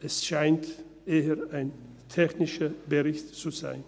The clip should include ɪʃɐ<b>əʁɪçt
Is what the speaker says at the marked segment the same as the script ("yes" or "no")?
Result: yes